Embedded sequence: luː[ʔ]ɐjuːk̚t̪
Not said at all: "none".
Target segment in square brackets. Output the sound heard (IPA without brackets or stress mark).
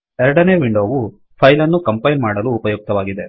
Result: p